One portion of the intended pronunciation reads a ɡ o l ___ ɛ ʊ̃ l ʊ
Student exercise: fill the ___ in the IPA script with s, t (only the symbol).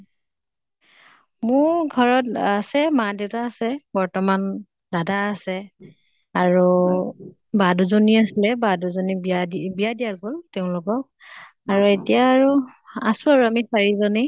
t